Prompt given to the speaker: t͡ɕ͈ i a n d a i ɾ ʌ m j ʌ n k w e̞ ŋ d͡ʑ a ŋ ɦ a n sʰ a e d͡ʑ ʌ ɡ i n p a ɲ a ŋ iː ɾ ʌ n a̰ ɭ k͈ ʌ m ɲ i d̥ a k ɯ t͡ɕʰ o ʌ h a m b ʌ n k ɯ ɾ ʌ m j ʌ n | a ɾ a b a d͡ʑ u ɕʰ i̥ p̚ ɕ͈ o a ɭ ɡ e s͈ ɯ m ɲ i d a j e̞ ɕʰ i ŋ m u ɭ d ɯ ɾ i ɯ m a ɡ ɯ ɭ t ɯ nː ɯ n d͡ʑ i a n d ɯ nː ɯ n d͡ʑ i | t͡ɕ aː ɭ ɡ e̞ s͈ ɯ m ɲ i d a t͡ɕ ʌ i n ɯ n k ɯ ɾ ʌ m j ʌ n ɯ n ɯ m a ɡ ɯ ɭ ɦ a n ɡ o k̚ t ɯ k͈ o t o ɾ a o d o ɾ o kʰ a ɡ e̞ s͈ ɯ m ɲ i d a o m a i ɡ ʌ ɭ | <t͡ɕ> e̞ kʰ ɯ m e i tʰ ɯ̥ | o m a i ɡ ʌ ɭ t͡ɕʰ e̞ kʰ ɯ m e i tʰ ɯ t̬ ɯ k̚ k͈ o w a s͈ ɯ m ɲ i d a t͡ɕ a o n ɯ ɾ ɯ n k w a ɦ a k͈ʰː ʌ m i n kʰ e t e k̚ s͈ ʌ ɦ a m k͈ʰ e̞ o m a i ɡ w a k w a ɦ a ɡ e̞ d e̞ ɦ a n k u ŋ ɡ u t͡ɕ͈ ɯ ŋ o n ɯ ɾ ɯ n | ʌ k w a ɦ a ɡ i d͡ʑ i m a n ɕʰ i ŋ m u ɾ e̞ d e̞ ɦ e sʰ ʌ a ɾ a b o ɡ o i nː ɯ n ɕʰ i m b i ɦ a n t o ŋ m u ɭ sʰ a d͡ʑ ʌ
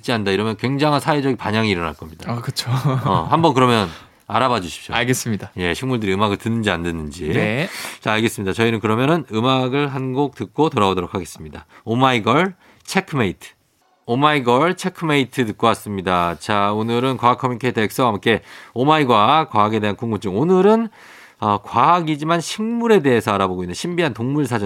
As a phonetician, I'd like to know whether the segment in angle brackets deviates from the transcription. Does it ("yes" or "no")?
yes